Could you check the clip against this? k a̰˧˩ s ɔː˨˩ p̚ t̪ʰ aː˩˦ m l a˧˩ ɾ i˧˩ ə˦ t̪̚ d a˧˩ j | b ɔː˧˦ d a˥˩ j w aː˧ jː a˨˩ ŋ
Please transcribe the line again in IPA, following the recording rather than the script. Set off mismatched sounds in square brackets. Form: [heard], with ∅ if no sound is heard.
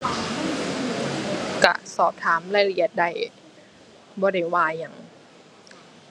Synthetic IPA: k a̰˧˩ s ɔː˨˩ p̚ t̪ʰ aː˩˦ m l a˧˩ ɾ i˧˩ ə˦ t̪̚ d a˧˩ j | b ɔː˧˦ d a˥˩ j w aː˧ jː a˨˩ ŋ

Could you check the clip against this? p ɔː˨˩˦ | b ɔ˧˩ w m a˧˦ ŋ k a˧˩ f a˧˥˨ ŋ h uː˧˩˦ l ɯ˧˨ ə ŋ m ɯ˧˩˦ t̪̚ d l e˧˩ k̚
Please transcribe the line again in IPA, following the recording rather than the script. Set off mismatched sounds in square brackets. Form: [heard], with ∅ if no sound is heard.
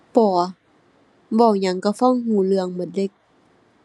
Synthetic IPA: p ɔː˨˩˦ | b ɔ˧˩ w [ɲ] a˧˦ ŋ k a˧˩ f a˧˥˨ ŋ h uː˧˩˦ l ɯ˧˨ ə ŋ m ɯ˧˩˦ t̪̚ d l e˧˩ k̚

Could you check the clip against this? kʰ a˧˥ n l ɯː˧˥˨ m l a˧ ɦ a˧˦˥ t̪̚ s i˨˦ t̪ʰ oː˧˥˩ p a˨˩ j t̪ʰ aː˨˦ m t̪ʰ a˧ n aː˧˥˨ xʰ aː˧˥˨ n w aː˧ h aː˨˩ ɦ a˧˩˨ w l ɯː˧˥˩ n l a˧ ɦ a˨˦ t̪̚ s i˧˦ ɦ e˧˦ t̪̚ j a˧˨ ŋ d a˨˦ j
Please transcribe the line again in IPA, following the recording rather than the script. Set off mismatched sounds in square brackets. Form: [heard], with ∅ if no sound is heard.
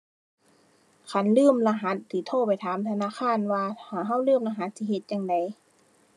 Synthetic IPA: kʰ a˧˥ n l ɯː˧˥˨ m l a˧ ɦ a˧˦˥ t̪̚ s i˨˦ t̪ʰ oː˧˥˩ p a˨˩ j t̪ʰ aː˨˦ m t̪ʰ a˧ n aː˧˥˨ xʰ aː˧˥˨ n w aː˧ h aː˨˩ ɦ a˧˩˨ w l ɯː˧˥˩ [m] l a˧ ɦ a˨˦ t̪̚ s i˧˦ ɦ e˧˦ t̪̚ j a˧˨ ŋ d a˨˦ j

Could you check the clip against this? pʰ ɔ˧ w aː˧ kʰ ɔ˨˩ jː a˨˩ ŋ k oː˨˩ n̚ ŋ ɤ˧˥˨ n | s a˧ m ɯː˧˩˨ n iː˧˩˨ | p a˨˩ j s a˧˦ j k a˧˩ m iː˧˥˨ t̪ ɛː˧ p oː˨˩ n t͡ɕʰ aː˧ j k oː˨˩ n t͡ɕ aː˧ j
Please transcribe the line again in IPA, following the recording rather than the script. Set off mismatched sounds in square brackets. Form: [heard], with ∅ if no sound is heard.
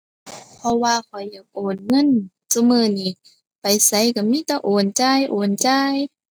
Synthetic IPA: pʰ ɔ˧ w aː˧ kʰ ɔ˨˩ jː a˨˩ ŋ [ʔ] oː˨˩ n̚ ŋ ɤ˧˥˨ n | s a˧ m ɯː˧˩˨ n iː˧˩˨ | p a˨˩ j s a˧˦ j k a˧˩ m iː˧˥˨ t̪ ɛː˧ [ʔ] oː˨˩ n [t͡ɕ] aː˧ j [ʔ] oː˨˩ n t͡ɕ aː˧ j

